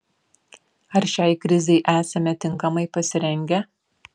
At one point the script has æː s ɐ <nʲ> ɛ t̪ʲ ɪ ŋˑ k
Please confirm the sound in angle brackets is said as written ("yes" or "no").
no